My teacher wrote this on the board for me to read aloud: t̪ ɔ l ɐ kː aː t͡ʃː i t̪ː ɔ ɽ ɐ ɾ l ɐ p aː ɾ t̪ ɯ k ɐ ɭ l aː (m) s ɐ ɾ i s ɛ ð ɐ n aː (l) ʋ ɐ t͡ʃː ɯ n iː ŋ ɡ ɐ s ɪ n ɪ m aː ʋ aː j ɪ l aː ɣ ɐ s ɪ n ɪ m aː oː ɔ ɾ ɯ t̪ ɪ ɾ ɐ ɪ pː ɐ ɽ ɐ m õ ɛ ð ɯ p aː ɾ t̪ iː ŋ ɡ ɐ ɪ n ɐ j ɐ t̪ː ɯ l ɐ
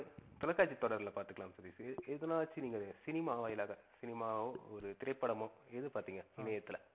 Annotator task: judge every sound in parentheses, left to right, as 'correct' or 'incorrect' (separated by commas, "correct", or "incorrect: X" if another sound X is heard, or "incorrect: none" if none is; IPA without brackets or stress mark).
correct, incorrect: none